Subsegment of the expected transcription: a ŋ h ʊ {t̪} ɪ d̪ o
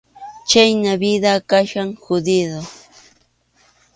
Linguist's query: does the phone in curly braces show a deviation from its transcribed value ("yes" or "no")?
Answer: yes